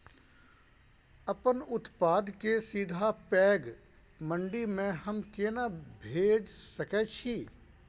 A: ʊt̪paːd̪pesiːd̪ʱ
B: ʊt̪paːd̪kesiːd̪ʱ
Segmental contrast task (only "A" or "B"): B